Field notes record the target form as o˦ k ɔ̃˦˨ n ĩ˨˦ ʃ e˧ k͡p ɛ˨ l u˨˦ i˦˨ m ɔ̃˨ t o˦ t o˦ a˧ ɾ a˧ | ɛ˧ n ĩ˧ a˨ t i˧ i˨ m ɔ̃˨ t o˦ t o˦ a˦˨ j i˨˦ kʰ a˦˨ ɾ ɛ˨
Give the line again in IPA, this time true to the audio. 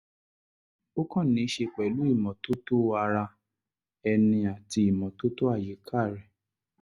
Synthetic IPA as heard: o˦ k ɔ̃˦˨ n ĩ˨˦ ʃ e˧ k͡p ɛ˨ l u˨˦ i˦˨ m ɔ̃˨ t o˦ t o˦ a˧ ɾ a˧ | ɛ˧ n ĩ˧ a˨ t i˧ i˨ m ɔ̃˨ t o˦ t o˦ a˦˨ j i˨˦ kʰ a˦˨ ɾ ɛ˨

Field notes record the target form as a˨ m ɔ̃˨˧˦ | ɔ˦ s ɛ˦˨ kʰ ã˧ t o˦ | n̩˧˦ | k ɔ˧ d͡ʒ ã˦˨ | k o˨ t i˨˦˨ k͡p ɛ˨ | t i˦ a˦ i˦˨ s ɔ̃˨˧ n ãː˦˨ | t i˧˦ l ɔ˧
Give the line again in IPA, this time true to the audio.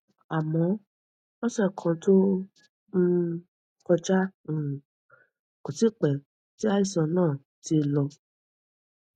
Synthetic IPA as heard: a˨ m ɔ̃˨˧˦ | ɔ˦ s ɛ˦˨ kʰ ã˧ t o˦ | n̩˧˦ | k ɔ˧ d͡ʒ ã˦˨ | k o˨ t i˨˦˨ k͡p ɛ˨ | t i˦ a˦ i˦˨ s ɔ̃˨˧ n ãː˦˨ | t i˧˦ l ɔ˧

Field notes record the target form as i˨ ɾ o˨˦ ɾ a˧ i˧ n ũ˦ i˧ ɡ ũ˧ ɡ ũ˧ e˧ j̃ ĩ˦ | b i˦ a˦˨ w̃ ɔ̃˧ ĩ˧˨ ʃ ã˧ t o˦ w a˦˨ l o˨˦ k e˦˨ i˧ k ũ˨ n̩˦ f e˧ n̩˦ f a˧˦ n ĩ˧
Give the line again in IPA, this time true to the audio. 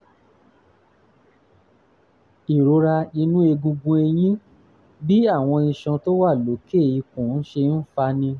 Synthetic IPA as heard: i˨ ɾ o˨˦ ɾ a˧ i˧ n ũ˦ e˧ ɡ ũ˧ ɡ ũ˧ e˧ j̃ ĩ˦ | b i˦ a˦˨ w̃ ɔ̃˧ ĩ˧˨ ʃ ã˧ t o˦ w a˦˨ l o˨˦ k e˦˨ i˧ k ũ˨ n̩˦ ʃ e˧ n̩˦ f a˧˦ n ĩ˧

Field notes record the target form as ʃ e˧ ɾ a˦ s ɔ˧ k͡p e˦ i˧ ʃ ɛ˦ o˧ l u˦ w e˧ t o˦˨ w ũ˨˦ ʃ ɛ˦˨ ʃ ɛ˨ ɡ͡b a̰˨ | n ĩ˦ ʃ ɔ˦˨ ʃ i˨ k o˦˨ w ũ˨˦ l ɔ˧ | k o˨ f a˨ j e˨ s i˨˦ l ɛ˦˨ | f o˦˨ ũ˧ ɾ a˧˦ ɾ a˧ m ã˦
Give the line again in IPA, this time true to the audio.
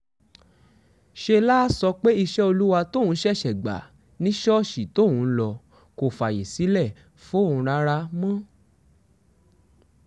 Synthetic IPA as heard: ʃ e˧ l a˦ s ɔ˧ k͡p e˦ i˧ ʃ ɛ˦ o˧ l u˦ w a˧ t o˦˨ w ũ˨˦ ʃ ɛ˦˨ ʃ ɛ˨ ɡ͡b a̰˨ | n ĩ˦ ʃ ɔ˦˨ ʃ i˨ t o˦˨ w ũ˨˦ l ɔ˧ | k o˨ f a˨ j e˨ s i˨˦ l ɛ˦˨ | f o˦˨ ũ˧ ɾ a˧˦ ɾ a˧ m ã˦

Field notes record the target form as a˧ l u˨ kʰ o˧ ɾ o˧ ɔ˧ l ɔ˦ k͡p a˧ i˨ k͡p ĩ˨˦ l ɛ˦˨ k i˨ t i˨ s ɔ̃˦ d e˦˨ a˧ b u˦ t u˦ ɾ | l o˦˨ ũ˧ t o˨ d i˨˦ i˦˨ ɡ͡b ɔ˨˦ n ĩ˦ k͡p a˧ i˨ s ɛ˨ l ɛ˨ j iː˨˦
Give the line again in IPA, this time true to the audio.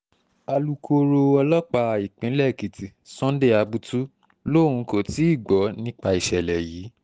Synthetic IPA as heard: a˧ l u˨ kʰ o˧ ɾ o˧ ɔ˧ l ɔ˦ k͡p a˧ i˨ k͡p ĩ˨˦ l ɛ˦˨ k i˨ t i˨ s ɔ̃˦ d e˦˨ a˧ b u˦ t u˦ | l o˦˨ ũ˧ k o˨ t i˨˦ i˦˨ ɡ͡b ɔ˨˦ n ĩ˦ k͡p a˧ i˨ ʃ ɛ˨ l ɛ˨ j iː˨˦

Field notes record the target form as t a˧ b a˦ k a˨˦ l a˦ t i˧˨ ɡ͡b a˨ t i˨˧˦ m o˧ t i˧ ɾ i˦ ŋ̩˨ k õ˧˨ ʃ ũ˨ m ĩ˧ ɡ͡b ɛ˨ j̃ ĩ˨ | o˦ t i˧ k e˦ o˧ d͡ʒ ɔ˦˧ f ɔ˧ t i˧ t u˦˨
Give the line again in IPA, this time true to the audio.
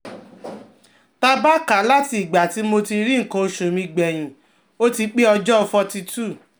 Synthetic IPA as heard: t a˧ b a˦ k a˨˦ l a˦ t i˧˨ ɡ͡b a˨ t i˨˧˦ m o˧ t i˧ ɾ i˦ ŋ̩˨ k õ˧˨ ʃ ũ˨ m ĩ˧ ɡ͡b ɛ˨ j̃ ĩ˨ | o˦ t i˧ k͡p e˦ ɔ˧ d͡ʒ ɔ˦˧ f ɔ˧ t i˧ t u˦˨

